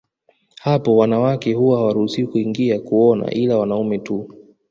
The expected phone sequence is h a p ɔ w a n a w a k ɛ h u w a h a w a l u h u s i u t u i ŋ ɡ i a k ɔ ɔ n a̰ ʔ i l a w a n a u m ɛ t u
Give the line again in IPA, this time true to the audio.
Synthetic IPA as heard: h a p ɔ w a n a w a k ɛ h u w a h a w a ɾ u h u s i u k u i ŋ ɡ i a k u ɔ n a̰ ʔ i l a w a n a u m ɛ t u